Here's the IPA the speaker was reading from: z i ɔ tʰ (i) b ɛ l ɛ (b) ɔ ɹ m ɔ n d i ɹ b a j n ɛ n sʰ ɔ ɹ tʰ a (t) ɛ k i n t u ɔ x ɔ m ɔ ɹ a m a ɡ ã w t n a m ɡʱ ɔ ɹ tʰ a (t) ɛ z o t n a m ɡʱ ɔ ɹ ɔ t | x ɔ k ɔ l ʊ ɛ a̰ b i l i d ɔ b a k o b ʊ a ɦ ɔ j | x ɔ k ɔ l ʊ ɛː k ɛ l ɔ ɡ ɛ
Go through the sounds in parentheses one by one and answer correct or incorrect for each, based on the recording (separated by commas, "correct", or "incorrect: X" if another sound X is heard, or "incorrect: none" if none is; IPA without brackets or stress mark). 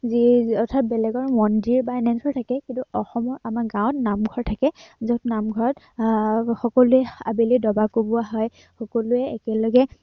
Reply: incorrect: a, incorrect: ɡ, incorrect: k, incorrect: k